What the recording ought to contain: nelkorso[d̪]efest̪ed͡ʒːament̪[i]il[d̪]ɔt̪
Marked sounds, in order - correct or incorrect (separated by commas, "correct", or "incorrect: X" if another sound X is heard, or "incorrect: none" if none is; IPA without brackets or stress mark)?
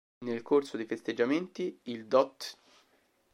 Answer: correct, correct, correct